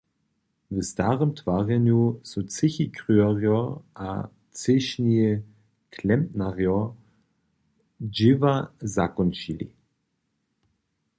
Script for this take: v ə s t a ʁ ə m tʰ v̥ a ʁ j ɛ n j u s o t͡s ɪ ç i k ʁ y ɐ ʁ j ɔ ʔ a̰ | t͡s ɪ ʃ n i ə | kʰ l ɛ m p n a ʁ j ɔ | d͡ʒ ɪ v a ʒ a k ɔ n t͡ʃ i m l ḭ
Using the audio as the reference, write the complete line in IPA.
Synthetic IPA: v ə s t a ʁ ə m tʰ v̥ a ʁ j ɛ n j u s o t͡s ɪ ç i k ʁ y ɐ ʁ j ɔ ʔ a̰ | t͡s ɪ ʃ n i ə | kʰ l ɛ m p n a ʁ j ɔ | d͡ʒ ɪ v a z a k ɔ n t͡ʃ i l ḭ

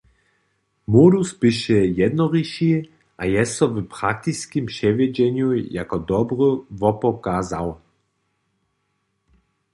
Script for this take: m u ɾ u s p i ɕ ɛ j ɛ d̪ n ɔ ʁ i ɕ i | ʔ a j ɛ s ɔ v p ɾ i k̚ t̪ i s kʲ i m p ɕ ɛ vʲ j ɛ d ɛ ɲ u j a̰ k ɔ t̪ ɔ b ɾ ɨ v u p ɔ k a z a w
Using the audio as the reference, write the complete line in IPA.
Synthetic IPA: m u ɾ u s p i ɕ ɛ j ɛ d̪ n ɔ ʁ i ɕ i | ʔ a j ɛ s ɔ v p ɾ a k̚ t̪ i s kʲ i m p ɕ ɛ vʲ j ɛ d͡ʑ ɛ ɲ u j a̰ k ɔ d̪ ɔ b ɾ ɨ v ɔ p ɔ k a z a w

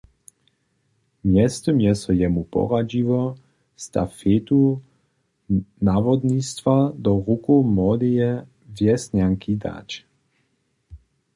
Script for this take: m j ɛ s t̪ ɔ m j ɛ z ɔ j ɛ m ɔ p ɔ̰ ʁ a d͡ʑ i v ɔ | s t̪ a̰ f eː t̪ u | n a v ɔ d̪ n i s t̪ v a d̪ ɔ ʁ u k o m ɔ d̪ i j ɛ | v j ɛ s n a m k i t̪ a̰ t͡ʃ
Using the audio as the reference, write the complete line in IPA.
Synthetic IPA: m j ɛ s t̪ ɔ m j ɛ s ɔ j ɛ m u p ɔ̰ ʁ a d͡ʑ i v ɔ | s t̪ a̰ f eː t̪ u | n a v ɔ d̪ n i s t̪ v a d̪ ɔ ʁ u k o m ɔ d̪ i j ɛ | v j ɛ s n a ŋ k i d̪ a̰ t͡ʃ

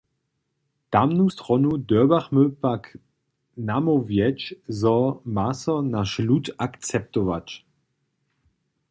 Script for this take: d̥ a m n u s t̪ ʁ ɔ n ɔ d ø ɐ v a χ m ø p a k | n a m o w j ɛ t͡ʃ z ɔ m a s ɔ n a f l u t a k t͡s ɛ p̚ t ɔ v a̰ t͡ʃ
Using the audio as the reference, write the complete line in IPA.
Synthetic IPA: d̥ a m n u s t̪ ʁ ɔ n u d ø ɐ b a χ m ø p a k | n a m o v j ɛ t͡ʃ z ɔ m a s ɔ n a ʃ l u t a k t͡s ɛ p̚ t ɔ v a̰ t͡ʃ

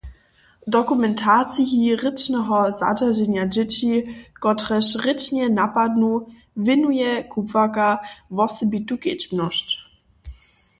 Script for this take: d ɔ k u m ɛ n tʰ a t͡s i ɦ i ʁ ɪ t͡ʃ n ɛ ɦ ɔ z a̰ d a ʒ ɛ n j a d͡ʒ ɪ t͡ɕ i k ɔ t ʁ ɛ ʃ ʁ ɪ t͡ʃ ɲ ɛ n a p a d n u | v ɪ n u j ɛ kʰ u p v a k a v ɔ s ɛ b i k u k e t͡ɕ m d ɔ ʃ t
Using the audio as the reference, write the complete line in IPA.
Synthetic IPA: d ɔ k u m ɛ n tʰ a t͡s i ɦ i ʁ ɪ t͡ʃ n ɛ ɦ ɔ z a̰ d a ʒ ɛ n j a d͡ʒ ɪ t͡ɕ i k ɔ t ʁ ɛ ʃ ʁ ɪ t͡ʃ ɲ ɛ n a p a d n u | v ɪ n u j ɛ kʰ u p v a k a v ɔ s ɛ b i t u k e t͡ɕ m n ɔ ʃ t

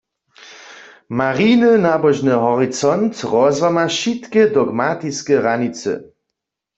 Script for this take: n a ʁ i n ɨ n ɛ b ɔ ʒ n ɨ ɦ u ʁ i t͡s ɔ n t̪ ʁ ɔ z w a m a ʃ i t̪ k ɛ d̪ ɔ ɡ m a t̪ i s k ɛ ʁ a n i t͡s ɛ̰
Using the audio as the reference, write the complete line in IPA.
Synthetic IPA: m a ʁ i n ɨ n a b ɔ ʒ n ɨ ɦ ɔ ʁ i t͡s ɔ n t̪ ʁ ɔ z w a m a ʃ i t̪ k ɛ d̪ ɔ ɡ m a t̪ i s k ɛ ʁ a n i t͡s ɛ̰

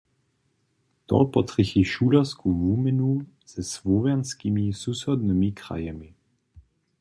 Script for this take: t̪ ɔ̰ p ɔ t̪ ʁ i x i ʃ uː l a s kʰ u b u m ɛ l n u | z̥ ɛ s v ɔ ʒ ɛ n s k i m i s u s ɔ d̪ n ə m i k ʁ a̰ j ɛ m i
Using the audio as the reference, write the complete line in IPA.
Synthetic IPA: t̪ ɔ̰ p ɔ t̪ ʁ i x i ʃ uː l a s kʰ u v u m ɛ n u | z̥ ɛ s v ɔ v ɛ n s k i m i s u s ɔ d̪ n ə m i k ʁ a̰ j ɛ m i

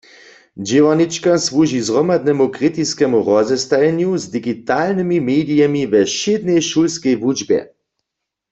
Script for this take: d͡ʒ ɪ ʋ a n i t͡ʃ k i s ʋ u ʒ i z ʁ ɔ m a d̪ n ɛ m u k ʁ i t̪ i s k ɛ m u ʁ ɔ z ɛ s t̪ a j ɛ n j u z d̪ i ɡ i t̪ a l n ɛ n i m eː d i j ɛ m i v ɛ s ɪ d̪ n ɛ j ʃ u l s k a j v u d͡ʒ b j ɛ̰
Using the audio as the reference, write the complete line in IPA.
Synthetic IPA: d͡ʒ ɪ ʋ a n i t͡ʃ k a s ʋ u ʒ i z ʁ ɔ m a d̪ n ɛ m u k ʁ i t̪ i s k ɛ m u ʁ ɔ z ɛ s t̪ a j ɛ n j u z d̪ i ɡ i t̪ a l n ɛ m i m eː d i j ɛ m i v ɛ ʃ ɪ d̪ n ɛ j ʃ u l s k ɛ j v u d͡ʒ b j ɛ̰

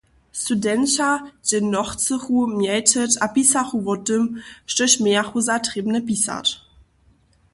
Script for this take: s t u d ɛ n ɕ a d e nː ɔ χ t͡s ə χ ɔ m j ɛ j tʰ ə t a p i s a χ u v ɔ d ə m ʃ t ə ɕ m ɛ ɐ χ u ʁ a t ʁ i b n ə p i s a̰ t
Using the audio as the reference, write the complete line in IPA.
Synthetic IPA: s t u d ɛ n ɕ a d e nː ɔ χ t͡s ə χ u m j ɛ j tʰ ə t a p i s a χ u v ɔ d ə m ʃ t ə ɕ m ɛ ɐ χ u z a t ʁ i b n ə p i s a̰ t

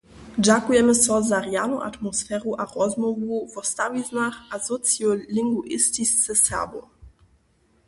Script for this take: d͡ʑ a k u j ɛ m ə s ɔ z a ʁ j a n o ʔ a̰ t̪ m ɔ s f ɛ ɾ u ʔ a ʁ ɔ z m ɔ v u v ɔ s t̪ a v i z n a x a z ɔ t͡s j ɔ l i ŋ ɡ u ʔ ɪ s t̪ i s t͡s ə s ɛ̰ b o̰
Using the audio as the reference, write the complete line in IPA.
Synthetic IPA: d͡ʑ a k u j ɛ m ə s ɔ z a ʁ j a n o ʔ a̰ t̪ m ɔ s f ɛ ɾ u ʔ a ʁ ɔ z m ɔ v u v ɔ s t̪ a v i z n a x a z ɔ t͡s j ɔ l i ŋ ɡ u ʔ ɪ s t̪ i s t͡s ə s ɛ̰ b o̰

